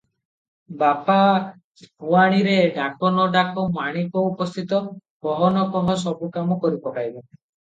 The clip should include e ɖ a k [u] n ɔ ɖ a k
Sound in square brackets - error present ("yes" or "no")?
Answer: yes